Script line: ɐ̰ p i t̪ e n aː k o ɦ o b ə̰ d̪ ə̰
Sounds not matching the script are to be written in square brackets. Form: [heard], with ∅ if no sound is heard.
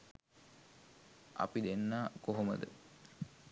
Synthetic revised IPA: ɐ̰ p i [d̪] e [nː] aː k o ɦ o [m] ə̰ d̪ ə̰